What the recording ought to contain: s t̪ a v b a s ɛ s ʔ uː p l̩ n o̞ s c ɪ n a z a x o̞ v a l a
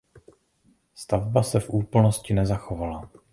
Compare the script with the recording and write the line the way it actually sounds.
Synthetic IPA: s t̪ a v b a s ɛ f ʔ uː p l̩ n o̞ s c ɪ n ɛ z a x o̞ v a l a